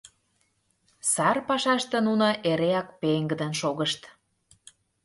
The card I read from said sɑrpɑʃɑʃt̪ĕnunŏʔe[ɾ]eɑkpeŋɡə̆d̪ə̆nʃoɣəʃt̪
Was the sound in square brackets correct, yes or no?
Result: yes